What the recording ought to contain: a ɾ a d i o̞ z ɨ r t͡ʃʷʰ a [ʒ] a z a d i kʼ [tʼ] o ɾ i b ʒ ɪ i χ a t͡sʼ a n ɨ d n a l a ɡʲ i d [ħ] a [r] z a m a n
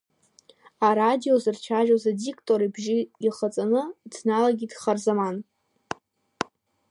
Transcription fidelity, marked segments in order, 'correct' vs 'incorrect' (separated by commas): correct, correct, incorrect, correct